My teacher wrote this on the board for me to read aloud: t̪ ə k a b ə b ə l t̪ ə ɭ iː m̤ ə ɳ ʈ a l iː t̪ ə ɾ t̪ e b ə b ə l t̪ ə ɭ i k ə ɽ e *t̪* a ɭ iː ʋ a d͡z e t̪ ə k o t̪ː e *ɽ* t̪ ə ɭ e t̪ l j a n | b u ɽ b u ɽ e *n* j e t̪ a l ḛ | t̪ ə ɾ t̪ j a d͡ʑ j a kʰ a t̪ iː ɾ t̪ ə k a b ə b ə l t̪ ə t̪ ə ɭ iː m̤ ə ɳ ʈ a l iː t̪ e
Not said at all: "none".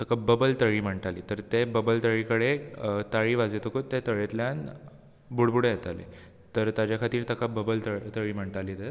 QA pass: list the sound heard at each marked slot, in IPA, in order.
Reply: t̪, none, none

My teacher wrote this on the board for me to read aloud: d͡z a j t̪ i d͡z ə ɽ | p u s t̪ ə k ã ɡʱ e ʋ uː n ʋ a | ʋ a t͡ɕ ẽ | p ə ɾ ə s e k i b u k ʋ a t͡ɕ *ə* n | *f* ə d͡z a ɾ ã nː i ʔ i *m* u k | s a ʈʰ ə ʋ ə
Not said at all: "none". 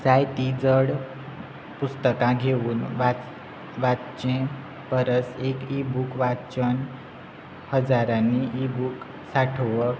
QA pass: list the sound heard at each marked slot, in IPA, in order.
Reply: ə, h, b

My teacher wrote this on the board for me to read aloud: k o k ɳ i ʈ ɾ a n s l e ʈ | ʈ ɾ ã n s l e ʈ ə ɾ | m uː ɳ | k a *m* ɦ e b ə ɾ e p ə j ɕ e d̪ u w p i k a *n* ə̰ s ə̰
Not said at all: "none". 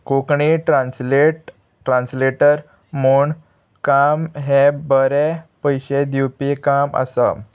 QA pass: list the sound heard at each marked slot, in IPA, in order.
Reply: m, m

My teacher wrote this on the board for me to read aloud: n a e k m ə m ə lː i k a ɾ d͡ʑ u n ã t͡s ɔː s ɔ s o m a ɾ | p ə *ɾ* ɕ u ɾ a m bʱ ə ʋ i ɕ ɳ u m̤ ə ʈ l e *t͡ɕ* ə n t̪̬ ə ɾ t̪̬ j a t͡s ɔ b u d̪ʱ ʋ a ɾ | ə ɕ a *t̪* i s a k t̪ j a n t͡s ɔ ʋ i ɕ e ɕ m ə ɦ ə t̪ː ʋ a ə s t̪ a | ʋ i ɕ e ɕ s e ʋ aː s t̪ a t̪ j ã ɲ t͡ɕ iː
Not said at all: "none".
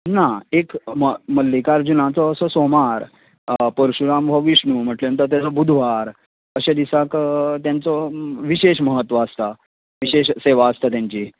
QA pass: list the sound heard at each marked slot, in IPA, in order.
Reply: ɾ, none, d̪

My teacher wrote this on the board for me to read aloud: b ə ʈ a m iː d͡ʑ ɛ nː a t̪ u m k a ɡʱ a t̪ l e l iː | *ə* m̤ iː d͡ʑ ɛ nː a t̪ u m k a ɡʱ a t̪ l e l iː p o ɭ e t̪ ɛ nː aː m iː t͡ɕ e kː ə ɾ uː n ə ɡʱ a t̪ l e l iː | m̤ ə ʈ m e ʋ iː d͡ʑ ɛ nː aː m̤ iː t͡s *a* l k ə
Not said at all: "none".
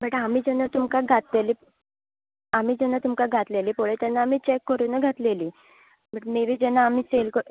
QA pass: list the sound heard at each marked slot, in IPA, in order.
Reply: a, e

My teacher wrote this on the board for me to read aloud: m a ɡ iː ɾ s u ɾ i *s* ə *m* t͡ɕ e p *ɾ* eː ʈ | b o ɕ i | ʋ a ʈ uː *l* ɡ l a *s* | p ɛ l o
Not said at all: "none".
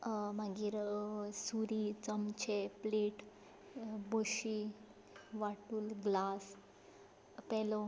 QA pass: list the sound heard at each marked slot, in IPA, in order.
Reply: t͡s, m, l, l, s

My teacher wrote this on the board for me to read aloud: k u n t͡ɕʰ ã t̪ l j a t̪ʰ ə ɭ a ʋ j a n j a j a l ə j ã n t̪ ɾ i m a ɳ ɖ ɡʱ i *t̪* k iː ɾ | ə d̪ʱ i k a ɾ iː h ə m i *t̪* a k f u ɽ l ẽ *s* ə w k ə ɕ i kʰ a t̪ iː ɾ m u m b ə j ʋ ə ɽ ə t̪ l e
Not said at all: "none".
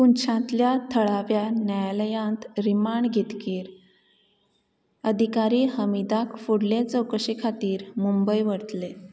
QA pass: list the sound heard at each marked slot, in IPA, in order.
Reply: t̪, d̪, t͡s

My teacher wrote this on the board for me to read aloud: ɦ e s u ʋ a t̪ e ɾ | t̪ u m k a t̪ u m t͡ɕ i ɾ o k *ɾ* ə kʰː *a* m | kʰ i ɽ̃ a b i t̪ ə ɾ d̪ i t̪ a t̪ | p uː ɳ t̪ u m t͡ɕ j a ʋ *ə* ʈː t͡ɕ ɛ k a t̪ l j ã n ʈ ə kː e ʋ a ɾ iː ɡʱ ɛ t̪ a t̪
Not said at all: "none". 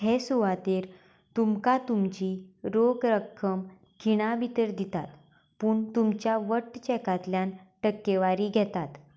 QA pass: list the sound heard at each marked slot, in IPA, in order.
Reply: ɾ, ə, ə

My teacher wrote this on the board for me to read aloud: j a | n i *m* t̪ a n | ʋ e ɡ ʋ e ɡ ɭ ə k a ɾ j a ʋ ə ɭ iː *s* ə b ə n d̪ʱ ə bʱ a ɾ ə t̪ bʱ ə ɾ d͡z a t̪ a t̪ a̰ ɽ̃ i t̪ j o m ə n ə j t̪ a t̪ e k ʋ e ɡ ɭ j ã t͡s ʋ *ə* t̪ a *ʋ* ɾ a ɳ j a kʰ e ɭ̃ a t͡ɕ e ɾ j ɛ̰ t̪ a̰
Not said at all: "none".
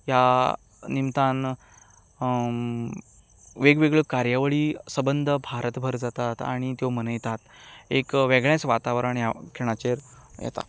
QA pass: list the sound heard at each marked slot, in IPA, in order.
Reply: m, s, a, ʋ

